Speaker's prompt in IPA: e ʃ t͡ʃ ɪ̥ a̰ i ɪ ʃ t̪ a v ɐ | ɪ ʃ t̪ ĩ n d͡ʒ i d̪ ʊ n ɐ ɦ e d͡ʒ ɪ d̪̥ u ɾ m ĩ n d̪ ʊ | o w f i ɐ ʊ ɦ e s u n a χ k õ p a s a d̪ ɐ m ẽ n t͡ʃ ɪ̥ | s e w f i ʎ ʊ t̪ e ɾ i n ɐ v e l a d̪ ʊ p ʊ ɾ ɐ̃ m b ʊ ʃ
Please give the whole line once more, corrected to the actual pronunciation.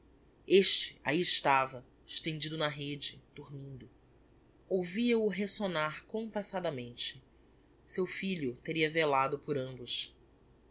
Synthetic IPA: e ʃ t͡ʃ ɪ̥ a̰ i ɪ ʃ t̪ a v ɐ | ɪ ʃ t̪ ẽ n d͡ʒ i d̪ ʊ n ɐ ɦ e d͡ʒ ɪ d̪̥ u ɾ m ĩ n d̪ ʊ | o w v i ɐ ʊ ɦ e s o n a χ k õ p a s a d̪ ɐ m ẽ n t͡ʃ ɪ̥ | s e w f i ʎ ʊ t̪ e ɾ i ɐ v e l a d̪ ʊ p ʊ ɾ ɐ̃ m b ʊ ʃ

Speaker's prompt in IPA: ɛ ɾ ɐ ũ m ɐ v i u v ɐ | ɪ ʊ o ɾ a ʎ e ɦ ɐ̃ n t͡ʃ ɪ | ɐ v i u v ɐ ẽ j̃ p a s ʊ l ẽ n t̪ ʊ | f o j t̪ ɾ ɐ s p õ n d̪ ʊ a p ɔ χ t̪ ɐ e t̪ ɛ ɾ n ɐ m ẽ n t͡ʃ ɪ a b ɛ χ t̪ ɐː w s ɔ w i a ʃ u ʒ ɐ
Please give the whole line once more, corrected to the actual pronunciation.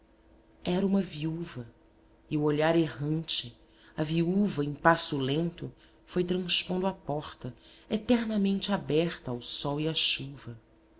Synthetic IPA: ɛ ɾ ɐ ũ m ɐ v i u v ɐ | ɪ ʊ o ʎ a ɾ e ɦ ɐ̃ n t͡ʃ ɪ | ɐ v i u v ɐ ẽ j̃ p a s ʊ l ẽ n t̪ ʊ | f o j t̪ ɾ ɐ̃ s p õ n d̪ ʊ a p ɔ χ t̪ ɐ e t̪ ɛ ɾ n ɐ m ẽ n t͡ʃ ɪ a b ɛ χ t̪ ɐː w s ɔ w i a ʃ u v ɐ

